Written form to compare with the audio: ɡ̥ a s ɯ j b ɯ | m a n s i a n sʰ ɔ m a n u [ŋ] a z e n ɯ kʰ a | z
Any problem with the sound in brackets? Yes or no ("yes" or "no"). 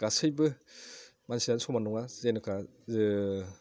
no